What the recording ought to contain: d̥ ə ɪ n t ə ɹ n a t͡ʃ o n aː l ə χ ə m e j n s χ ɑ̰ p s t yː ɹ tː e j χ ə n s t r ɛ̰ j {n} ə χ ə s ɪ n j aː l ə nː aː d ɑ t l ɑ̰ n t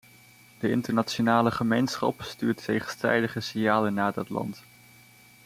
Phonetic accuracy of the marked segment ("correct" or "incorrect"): incorrect